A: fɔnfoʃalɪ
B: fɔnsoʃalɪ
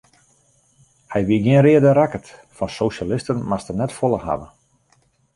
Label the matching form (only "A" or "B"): B